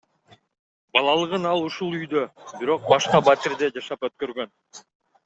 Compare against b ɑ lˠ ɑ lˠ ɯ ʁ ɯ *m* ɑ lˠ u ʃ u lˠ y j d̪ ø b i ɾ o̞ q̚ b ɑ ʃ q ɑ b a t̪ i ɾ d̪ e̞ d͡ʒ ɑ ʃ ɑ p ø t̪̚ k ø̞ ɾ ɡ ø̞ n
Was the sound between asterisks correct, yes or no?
no